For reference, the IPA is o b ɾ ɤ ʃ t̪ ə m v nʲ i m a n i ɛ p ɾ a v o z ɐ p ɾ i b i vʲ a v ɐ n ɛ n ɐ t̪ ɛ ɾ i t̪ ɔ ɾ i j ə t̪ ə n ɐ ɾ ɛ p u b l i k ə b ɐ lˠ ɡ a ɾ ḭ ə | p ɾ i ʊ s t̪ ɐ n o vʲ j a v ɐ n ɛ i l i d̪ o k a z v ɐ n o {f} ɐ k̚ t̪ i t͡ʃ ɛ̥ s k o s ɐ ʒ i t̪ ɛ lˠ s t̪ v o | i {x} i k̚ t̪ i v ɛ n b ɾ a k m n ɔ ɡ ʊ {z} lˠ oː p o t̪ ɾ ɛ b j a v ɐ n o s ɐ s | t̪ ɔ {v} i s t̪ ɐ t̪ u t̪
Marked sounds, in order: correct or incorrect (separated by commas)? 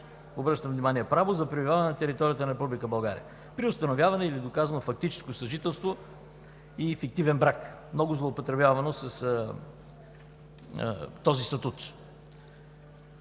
correct, incorrect, correct, incorrect